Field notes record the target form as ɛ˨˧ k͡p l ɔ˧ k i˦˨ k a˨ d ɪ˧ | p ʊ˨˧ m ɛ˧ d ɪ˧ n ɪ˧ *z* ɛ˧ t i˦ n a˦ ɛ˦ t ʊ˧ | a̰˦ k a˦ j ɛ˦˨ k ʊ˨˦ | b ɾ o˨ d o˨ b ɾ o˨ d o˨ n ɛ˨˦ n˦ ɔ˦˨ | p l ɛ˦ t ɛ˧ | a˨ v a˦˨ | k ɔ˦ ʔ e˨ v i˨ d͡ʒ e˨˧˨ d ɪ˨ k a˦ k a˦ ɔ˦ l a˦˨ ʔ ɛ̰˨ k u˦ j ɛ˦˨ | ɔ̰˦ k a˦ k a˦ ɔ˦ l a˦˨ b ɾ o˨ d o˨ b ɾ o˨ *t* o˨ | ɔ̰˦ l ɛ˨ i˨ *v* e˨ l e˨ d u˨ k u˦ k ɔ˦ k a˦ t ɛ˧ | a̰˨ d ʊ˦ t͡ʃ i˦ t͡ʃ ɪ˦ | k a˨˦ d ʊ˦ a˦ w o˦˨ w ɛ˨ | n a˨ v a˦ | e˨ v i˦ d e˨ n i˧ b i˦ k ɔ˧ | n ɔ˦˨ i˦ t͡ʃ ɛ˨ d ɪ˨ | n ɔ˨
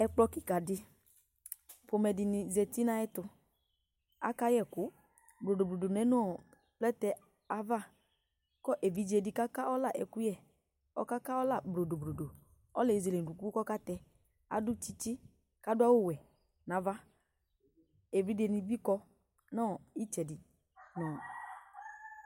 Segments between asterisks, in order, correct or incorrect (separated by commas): correct, incorrect, incorrect